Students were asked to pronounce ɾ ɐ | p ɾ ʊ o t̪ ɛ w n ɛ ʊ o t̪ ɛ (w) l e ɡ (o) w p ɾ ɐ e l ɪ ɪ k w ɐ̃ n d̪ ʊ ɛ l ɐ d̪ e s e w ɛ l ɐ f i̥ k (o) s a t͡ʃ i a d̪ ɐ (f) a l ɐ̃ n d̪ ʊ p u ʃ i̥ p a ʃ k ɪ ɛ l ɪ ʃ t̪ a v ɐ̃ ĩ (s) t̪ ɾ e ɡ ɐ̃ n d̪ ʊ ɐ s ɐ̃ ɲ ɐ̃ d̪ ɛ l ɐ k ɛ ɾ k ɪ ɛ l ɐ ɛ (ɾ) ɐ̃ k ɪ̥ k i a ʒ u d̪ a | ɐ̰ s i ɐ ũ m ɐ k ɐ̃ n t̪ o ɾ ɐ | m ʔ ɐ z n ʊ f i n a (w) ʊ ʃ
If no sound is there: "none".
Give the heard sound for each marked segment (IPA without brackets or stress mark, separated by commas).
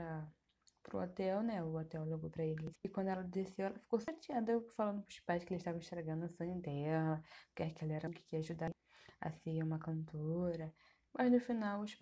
w, o, o, f, ʃ, ɾ, w